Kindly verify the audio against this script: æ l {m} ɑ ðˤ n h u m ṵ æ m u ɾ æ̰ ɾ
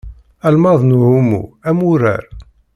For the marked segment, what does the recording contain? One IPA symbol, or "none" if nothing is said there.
m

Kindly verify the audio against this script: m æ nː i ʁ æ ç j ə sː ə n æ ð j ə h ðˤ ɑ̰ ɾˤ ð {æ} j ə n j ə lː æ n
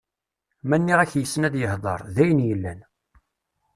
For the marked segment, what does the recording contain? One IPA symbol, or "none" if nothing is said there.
æ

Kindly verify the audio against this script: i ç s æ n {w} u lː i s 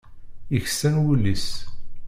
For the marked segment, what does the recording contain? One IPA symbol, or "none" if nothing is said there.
w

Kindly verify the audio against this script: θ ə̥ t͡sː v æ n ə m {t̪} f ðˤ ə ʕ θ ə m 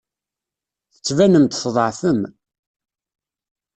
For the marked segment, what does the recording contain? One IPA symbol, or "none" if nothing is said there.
t̪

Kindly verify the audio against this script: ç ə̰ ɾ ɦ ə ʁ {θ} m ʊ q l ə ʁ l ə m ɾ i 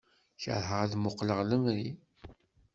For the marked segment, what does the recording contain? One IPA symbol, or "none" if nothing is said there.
ð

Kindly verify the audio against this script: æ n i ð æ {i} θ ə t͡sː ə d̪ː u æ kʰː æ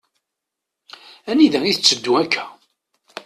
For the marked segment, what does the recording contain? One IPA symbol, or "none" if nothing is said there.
i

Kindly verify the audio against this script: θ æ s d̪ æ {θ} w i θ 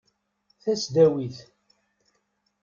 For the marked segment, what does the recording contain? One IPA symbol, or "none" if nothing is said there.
none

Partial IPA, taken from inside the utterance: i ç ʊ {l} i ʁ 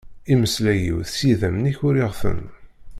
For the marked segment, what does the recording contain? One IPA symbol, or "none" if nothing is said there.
ɾ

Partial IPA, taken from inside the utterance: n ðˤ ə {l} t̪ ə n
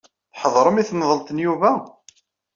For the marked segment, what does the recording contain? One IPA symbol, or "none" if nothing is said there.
l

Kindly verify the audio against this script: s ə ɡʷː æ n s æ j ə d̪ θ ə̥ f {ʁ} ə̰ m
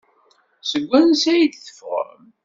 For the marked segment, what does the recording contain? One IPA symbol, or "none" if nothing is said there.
ʁ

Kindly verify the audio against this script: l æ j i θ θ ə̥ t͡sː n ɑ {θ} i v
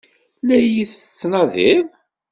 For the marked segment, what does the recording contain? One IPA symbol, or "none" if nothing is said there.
ð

